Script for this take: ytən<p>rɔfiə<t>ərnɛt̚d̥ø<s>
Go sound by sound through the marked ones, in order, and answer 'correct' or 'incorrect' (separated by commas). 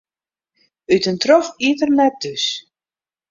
incorrect, correct, correct